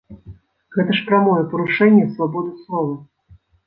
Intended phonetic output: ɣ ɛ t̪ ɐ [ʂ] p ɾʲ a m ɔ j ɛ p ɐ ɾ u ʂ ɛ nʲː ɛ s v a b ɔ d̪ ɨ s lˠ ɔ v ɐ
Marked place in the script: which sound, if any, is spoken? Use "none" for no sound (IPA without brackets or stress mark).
ʂ